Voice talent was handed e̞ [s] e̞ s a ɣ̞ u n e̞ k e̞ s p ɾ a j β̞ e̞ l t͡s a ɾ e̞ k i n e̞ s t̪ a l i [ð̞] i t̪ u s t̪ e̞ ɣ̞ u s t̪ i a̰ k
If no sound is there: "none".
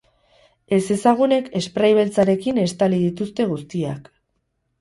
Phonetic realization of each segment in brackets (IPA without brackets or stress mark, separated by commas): s, ð̞